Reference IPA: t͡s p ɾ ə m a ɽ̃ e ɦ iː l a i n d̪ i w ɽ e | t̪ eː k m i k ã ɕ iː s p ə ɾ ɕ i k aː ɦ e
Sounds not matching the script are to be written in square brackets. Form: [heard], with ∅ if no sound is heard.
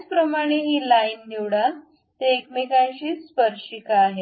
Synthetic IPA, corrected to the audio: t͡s p ɾ ə m a ɽ̃ e ɦ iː l a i n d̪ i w ɽ [a] | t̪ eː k m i k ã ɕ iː s p ə ɾ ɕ i k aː ɦ e